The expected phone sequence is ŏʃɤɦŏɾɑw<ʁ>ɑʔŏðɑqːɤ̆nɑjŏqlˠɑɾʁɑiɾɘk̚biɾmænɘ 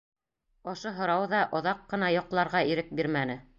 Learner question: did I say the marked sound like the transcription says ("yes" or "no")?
no